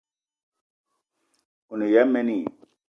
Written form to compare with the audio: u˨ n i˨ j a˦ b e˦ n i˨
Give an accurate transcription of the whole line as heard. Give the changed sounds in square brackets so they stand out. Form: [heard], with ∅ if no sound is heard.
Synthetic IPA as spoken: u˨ n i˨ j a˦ [m] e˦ n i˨